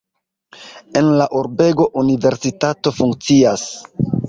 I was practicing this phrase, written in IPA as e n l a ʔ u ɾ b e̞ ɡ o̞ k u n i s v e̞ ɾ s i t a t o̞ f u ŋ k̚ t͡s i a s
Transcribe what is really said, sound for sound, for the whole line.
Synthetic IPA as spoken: e n l a ʔ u ɾ b e̞ ɡ o̞ ʔ u n i v e̞ ɾ s i t a t o̞ f u ŋ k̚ t͡s i a s